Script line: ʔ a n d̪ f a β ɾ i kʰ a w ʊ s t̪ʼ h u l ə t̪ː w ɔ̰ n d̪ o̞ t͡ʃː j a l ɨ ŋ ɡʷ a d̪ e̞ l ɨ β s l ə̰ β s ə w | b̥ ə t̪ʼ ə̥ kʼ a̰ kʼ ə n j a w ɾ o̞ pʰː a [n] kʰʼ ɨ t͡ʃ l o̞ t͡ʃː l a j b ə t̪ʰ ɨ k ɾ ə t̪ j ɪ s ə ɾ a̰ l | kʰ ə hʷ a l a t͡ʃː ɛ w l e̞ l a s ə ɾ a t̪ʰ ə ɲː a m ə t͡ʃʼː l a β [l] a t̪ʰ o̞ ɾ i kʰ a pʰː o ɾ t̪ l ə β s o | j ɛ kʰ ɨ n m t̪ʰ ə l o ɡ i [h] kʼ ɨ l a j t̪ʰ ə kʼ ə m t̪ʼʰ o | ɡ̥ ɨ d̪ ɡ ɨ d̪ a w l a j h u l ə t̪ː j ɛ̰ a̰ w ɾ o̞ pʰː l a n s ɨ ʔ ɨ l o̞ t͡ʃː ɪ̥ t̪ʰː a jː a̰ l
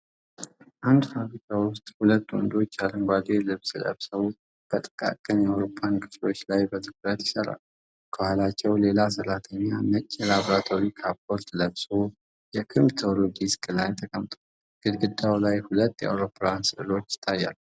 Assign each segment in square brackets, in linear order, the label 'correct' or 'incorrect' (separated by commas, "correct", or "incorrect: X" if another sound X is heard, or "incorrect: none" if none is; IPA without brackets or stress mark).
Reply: correct, incorrect: ɾ, incorrect: s